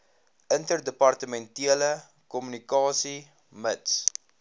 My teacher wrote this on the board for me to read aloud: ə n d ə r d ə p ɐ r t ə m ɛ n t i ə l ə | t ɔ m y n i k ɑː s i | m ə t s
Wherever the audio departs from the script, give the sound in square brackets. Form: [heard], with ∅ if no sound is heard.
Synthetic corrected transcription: ə n [t] ə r d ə p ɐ r t ə m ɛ n t i ə l ə | [k] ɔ m y n i k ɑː s i | m ə t s